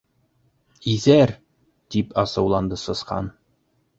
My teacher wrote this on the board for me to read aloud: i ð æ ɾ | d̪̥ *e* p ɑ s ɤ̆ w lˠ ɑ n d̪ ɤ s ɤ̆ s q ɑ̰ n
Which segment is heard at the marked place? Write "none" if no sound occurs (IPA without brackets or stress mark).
i